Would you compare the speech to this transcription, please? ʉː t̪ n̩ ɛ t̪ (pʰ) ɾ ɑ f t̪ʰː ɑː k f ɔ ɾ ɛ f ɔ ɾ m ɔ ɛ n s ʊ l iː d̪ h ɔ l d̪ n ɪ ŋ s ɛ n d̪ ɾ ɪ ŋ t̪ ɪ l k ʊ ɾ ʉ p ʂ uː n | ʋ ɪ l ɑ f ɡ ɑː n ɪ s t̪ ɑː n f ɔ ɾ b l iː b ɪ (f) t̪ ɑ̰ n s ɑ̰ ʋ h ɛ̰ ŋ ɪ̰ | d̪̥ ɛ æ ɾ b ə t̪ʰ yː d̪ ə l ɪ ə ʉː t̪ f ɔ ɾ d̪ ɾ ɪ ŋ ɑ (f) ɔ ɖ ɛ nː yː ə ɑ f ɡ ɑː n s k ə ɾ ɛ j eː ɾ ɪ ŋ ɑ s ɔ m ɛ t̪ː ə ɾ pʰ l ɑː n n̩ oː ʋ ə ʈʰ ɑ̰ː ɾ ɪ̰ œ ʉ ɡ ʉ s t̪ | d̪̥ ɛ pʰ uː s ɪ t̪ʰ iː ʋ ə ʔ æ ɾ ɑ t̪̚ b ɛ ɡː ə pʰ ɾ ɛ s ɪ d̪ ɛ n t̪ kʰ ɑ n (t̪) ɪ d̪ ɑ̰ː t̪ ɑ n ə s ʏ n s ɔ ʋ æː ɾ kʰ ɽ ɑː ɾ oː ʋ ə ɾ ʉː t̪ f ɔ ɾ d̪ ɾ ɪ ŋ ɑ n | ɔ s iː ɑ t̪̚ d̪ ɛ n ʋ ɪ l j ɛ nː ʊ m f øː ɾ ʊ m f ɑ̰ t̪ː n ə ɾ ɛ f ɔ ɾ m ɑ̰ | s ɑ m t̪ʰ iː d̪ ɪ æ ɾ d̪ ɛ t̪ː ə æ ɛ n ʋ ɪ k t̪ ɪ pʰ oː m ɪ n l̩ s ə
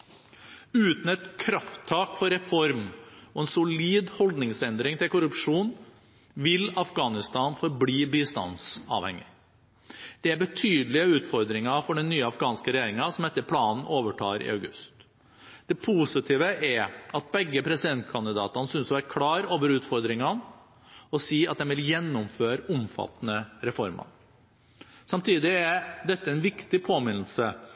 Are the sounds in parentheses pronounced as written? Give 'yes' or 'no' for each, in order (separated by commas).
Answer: no, no, yes, no